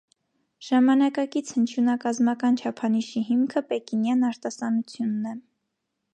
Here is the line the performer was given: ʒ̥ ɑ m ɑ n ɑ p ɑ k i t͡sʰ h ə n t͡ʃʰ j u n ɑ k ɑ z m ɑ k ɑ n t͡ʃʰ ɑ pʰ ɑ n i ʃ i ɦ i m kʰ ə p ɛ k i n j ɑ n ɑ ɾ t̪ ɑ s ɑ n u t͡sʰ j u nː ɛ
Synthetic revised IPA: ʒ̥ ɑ m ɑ n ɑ k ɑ k i t͡sʰ h ə n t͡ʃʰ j u n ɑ k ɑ z m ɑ k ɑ n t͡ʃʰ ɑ pʰ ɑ n i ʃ i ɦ i m kʰ ə p ɛ k i n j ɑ n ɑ ɾ t̪ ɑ s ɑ n u t͡sʰ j u nː ɛ